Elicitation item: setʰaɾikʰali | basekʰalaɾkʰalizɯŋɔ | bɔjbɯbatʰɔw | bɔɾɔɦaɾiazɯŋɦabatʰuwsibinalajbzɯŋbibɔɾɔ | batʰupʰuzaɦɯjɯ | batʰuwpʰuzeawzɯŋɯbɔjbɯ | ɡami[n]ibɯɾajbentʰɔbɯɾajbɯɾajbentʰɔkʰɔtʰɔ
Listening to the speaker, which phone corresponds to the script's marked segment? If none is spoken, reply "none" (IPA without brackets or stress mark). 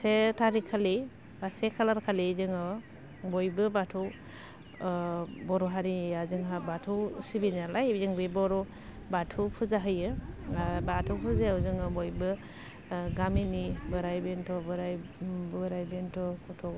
n